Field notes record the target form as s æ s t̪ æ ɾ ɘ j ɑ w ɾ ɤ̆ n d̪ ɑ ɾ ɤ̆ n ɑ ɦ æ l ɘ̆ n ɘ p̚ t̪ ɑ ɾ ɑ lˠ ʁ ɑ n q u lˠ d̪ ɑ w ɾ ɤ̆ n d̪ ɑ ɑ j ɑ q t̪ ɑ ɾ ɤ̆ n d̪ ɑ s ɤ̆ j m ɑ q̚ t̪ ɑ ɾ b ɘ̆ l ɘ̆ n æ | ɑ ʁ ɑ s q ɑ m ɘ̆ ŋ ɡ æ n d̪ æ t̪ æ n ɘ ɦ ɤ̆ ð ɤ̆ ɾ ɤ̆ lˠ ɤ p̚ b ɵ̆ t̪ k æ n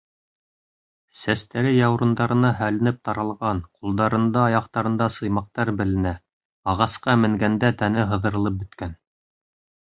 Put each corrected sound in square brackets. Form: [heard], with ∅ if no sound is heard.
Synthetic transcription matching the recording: s æ s t̪ æ ɾ ɘ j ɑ w ɾ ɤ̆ n d̪ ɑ ɾ ɤ̆ n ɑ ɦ æ l ɘ̆ n ɘ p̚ t̪ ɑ ɾ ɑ lˠ ʁ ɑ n q u lˠ d̪ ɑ [∅] ɾ ɤ̆ n d̪ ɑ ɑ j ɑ q t̪ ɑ ɾ ɤ̆ n d̪ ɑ s ɤ̆ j m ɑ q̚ t̪ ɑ ɾ b ɘ̆ l ɘ̆ n æ | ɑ ʁ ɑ s q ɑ m ɘ̆ ŋ ɡ æ n d̪ æ t̪ æ n ɘ ɦ ɤ̆ ð ɤ̆ ɾ ɤ̆ lˠ ɤ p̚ b ɵ̆ t̪ k æ n